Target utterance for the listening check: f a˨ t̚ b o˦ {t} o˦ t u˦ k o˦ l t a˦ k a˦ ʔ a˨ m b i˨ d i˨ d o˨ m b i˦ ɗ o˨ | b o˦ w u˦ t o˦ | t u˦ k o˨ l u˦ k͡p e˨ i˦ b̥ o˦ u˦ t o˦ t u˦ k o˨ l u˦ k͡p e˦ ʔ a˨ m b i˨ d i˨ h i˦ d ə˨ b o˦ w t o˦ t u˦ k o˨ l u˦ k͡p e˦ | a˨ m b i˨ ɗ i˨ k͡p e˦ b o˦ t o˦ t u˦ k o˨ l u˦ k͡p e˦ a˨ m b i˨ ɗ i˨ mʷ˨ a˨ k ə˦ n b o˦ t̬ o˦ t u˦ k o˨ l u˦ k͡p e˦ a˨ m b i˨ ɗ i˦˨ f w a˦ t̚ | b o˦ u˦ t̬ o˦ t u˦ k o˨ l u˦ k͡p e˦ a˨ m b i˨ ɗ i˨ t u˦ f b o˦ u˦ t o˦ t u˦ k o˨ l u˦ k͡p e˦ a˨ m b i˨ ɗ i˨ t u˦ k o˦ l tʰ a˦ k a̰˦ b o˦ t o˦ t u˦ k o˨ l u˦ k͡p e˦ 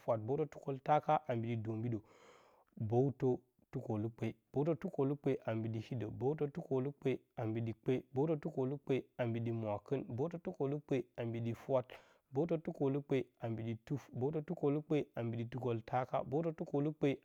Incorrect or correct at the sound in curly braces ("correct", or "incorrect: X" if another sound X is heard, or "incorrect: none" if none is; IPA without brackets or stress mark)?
correct